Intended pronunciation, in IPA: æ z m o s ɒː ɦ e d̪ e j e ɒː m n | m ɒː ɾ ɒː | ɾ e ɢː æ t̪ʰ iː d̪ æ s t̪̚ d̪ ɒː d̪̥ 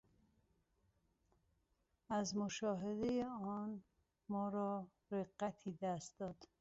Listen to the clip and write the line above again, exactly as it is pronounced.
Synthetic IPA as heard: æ z m o ʃ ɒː ɦ e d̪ e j e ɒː n | m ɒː ɾ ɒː | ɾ e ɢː æ t̪ʰ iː d̪ æ s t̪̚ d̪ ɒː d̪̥